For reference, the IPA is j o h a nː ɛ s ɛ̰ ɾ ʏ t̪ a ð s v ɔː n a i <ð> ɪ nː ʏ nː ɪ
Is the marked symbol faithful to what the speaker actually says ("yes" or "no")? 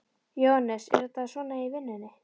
no